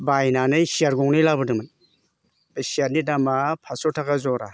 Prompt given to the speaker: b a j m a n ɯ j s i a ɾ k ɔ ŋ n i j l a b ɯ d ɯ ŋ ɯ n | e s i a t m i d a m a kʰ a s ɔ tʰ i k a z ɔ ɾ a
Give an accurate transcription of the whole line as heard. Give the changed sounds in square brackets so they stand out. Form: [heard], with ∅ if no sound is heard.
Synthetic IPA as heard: b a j [n] a n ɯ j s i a ɾ [ɡ] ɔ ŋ n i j l a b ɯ d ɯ [m] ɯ n | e s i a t [n] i d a m a [pʰ] a s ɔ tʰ [a] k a z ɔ ɾ a